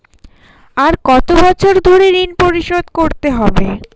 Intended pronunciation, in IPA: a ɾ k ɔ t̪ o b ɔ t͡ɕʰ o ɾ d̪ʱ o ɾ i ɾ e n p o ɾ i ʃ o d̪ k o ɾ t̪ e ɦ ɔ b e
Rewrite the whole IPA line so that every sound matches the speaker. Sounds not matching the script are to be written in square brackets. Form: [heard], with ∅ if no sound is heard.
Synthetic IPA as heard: a ɾ k ɔ t̪ o b ɔ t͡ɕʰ o ɾ d̪ʱ o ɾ [e] ɾ [i] n p o ɾ i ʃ o d̪ k o ɾ t̪ e ɦ ɔ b e